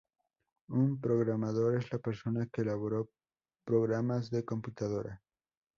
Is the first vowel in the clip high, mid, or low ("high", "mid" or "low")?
high